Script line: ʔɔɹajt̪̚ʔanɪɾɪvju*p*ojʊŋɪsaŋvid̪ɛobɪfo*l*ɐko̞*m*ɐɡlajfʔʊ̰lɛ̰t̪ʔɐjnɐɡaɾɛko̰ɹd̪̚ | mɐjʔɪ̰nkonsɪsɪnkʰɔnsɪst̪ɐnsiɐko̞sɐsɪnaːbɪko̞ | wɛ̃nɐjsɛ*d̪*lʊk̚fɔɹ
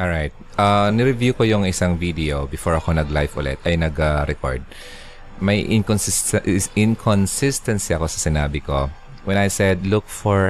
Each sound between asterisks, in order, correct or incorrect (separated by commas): incorrect, incorrect, incorrect, correct